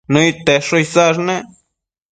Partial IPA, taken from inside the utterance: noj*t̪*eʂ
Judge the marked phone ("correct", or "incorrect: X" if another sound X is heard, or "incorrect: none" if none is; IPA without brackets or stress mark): correct